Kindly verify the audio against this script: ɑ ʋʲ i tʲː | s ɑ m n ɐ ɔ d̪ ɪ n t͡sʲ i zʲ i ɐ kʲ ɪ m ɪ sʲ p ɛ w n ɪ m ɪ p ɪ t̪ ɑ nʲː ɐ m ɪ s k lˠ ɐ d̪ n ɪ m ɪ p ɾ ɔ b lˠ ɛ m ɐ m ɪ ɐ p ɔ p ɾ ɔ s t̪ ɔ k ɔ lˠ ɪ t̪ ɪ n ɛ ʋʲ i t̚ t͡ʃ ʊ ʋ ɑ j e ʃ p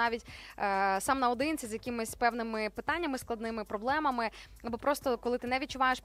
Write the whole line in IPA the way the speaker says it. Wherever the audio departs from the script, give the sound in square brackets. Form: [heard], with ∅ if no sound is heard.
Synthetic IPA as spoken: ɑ ʋʲ i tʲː | s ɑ m n ɐ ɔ d̪ ɪ n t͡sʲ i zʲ [j] ɐ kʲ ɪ m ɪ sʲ p ɛ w n ɪ m ɪ p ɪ t̪ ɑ nʲː ɐ m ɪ s k lˠ ɐ d̪ n ɪ m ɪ p ɾ ɔ b lˠ ɛ m ɐ m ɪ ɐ [b] ɔ p ɾ ɔ s t̪ ɔ k ɔ lˠ ɪ t̪ ɪ n ɛ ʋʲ i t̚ t͡ʃ ʊ ʋ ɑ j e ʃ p